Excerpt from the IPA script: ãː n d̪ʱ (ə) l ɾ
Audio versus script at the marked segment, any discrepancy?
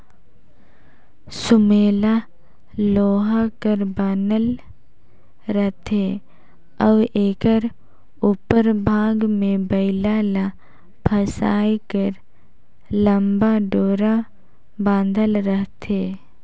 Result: no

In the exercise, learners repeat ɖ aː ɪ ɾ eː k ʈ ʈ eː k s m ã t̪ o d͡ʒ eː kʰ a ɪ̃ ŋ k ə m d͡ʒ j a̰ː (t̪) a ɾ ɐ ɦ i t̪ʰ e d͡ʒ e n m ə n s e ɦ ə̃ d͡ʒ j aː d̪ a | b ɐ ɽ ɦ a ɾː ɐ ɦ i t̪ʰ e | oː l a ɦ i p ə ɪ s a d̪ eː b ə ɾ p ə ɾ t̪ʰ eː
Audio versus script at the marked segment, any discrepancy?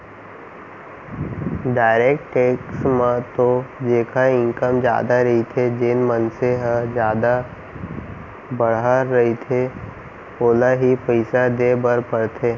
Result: yes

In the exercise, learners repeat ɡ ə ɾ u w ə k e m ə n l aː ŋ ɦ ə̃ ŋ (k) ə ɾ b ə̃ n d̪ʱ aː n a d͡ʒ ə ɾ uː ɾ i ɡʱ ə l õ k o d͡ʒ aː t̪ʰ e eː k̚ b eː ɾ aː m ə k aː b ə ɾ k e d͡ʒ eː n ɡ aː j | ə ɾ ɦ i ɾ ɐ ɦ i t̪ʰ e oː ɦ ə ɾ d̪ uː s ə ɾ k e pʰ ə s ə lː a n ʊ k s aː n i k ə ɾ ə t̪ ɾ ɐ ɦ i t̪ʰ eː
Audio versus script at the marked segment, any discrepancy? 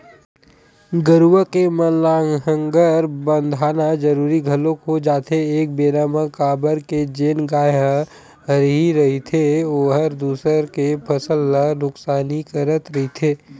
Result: yes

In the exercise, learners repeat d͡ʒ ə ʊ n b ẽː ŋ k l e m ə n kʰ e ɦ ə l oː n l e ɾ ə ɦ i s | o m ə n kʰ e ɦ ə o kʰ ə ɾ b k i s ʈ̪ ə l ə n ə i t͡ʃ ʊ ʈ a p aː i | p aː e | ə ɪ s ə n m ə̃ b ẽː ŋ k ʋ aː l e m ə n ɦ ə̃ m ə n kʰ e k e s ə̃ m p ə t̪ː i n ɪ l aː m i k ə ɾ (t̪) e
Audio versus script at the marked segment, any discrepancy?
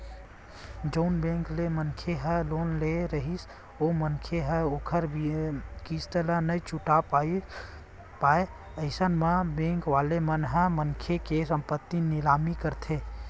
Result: yes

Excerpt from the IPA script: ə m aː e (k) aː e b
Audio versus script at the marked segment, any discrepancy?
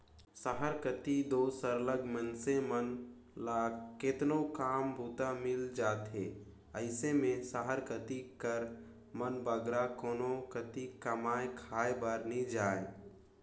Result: yes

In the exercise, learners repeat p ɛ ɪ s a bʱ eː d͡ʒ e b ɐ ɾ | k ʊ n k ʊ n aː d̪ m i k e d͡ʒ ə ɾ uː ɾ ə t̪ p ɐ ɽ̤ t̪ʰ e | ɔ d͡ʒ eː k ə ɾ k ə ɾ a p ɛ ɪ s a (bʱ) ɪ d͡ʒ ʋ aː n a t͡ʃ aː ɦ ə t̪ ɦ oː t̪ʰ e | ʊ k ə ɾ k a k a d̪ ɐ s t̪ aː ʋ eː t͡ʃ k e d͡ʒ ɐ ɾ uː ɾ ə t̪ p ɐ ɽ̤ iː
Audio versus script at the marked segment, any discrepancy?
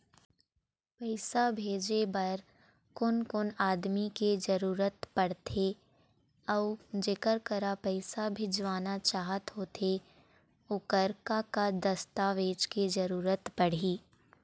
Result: no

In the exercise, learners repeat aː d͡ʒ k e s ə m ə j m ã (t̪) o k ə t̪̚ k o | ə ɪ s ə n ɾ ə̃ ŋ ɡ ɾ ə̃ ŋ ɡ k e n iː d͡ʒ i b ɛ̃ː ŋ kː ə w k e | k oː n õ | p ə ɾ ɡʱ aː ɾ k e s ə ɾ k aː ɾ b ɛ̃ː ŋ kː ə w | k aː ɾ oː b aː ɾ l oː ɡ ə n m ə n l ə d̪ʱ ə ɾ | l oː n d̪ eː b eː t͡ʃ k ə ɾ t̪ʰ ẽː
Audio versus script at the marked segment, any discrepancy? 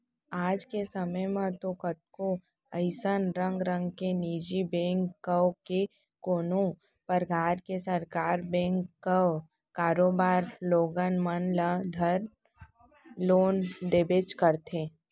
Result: no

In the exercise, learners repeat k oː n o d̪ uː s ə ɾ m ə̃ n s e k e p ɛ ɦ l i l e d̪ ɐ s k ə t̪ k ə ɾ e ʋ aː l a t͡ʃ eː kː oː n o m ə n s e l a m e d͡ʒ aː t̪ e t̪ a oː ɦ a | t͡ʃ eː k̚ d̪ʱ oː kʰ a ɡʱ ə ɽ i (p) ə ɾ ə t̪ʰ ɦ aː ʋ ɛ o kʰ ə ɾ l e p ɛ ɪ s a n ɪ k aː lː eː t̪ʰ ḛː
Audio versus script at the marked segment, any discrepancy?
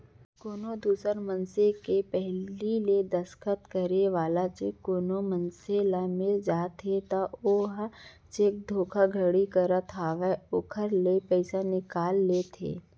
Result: yes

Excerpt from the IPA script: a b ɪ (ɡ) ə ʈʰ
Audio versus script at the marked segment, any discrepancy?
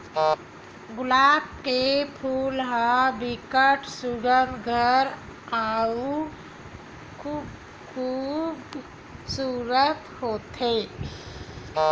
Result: yes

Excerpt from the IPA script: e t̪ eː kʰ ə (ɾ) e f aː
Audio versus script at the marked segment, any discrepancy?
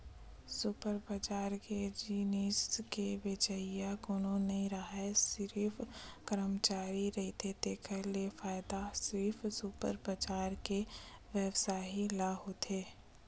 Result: yes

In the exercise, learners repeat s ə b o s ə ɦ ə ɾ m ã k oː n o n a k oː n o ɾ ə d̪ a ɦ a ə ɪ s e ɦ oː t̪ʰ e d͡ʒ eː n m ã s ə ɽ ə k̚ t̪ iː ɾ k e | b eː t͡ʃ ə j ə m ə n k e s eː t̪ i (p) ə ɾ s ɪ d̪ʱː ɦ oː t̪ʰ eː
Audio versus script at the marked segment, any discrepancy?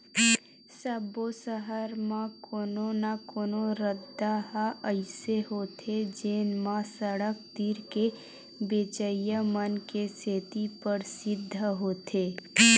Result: no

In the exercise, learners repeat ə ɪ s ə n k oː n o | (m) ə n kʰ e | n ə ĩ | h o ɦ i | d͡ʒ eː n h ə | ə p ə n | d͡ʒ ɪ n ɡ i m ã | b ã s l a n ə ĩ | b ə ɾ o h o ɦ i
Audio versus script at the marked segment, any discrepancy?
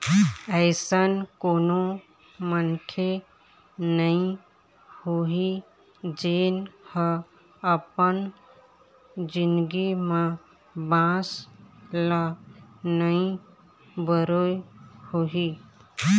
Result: no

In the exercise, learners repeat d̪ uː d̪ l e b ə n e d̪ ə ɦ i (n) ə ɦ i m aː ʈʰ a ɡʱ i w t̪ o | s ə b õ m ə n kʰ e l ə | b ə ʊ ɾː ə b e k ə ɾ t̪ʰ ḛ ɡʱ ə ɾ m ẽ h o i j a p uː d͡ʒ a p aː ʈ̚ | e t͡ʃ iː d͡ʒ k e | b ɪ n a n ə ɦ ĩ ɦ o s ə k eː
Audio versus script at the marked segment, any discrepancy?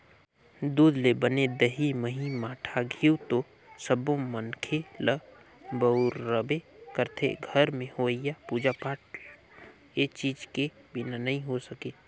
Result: yes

